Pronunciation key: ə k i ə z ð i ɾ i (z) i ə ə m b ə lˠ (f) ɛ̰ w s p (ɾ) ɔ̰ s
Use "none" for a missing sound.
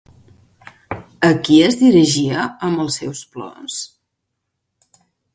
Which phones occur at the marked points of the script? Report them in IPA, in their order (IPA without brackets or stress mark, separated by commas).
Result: ʒ, s, l